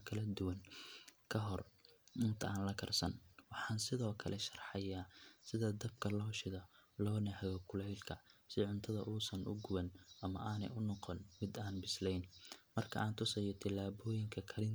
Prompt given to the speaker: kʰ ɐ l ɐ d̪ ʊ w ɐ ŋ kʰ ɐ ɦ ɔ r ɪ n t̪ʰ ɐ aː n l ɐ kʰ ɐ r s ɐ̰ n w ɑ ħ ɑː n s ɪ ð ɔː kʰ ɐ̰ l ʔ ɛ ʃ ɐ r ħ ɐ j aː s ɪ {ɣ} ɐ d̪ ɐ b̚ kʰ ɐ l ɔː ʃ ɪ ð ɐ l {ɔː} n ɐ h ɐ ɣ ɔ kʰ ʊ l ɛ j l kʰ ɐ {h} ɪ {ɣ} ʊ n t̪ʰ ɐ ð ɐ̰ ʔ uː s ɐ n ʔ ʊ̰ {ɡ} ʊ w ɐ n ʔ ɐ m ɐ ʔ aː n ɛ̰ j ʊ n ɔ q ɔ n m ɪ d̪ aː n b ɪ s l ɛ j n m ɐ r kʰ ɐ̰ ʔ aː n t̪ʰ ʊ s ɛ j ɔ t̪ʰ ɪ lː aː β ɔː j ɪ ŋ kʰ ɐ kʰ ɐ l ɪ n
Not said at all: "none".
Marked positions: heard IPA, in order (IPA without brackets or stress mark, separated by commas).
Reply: ð, ɔː, s, ʕ, ɡ